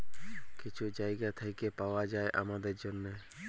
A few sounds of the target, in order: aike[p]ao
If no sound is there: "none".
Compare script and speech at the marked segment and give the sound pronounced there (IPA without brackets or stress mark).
p